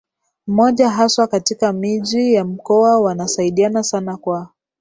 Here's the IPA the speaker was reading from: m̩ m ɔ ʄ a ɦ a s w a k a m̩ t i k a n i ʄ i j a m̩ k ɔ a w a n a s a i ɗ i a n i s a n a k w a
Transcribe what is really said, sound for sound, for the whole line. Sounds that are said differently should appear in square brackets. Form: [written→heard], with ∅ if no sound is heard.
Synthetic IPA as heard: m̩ m ɔ ʄ a ɦ a s w a k a [m̩→∅] t i k a [n→m] i ʄ i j a m̩ k ɔ a w a n a s a i ɗ i a n [i→a] s a n a k w a